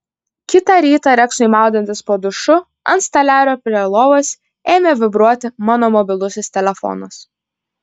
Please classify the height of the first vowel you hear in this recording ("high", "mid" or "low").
high